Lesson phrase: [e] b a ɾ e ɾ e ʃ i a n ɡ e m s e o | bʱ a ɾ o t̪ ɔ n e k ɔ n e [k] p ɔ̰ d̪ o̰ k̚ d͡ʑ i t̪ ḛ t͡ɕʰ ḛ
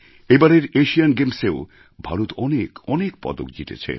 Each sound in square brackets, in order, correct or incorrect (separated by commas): correct, correct